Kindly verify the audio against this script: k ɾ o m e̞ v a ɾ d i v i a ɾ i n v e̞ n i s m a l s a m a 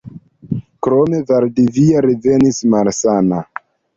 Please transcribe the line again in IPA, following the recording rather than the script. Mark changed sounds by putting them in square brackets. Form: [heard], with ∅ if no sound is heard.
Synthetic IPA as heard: k ɾ o m e̞ v a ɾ d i v i a ɾ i [∅] v e̞ n i s m a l s a [n] a